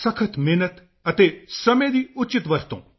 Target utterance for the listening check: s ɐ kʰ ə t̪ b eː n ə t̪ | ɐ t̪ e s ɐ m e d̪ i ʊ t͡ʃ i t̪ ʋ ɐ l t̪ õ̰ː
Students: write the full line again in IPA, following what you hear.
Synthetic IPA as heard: s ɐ kʰ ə t̪ m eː n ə t̪ | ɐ t̪ e s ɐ m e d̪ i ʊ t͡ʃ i t̪ ʋ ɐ ɾ t̪ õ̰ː